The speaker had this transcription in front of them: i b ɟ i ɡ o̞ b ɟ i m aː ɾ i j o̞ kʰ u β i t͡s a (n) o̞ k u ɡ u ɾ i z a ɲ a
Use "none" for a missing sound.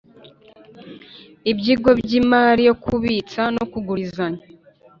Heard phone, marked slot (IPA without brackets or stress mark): n